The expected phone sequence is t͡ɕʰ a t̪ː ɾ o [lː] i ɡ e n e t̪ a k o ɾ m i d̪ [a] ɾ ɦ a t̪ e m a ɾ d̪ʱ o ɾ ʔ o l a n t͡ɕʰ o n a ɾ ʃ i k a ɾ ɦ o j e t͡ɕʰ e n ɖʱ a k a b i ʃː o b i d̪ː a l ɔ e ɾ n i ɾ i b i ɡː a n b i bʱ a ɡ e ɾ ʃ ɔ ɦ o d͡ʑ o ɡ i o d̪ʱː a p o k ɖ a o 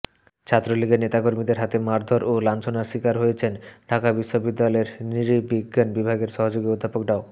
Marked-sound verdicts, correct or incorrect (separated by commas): incorrect, incorrect